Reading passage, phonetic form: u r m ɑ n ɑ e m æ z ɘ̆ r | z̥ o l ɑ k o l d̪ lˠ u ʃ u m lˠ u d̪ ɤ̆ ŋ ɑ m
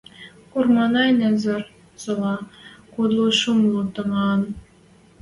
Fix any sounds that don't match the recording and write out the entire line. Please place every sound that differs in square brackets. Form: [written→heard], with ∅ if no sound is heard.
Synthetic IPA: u r m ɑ n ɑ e [m→n] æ z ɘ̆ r | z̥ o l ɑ k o [l→∅] d̪ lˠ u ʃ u m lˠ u [d̪→t̪] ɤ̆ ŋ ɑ [m→n]